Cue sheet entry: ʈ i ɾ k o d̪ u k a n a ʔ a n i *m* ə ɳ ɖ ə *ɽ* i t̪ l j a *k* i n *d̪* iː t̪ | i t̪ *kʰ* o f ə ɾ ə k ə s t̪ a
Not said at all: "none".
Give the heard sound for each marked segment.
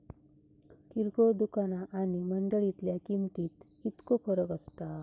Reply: m, ɭ, k, t̪, k

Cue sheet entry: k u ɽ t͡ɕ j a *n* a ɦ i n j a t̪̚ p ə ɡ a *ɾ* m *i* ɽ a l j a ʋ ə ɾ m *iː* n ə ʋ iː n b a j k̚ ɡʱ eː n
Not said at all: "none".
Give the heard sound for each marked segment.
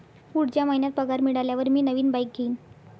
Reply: m, ɾ, i, iː

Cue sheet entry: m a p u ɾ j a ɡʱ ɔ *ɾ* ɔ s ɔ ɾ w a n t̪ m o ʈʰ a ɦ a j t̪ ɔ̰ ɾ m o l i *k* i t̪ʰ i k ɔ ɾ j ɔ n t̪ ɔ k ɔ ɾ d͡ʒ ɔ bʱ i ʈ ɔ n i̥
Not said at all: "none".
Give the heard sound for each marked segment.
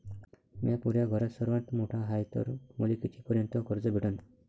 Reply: ɾ, k

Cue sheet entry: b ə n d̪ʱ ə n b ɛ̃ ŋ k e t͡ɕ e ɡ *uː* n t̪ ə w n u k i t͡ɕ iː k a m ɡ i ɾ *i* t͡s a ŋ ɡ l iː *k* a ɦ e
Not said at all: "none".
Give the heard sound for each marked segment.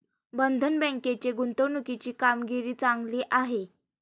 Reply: u, iː, ʔ

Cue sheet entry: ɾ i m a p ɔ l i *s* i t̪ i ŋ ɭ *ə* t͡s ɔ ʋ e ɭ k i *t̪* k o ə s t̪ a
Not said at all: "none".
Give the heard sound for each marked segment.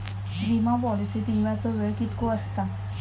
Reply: s, a, t̪

